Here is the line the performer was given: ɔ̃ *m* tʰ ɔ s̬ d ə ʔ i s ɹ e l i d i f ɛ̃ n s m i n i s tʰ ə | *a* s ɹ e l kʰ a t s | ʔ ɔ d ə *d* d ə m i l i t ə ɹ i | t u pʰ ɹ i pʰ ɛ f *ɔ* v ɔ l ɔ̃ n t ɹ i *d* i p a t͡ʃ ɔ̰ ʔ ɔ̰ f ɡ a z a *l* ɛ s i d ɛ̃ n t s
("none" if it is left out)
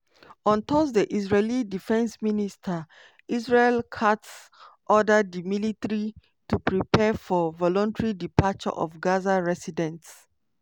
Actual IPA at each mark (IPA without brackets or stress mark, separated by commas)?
n, i, d, ɔ, d, ɹ